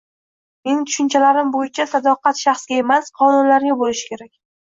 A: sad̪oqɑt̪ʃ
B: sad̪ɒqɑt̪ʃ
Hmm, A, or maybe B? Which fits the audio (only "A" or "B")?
B